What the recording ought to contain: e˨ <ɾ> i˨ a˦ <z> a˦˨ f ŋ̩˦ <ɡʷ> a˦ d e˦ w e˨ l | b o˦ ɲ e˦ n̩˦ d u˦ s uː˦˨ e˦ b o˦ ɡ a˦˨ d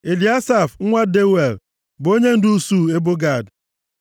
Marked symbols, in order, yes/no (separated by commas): no, no, no